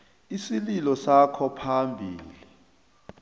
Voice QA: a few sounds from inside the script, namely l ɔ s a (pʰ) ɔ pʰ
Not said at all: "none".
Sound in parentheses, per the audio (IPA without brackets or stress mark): kʰ